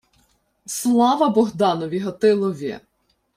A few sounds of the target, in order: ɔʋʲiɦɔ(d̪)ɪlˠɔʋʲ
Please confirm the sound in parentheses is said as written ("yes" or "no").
no